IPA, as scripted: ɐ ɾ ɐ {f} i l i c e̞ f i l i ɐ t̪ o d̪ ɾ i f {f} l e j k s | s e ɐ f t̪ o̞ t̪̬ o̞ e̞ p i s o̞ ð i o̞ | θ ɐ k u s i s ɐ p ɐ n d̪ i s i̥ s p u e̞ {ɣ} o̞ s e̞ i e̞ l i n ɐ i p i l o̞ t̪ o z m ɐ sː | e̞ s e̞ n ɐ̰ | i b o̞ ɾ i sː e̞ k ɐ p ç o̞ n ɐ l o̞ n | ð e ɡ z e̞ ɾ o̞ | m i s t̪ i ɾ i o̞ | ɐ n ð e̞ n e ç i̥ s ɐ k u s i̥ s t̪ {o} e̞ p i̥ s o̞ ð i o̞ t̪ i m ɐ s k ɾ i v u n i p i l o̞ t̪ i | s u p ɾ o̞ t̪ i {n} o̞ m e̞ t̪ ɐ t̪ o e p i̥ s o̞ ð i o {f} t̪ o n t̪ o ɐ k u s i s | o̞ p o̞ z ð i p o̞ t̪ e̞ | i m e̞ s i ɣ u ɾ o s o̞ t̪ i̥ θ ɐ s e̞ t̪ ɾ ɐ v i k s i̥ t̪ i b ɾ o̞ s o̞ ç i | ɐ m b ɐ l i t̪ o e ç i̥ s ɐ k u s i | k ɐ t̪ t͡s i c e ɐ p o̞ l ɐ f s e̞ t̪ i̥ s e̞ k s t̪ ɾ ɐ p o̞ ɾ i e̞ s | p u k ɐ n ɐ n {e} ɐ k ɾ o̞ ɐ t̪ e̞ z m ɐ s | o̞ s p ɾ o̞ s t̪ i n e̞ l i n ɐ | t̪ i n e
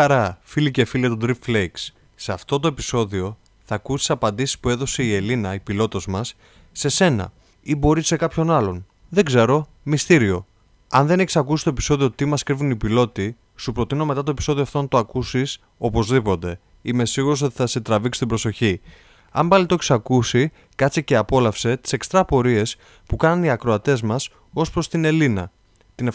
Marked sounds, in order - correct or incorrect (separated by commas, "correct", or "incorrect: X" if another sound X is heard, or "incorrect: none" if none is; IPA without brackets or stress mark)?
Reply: correct, correct, incorrect: ð, correct, correct, correct, incorrect: i